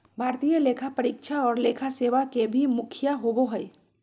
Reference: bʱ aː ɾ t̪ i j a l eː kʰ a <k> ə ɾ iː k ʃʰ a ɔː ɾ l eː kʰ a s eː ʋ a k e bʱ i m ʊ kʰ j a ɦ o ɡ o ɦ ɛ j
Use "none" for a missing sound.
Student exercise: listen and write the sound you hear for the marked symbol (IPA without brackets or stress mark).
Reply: p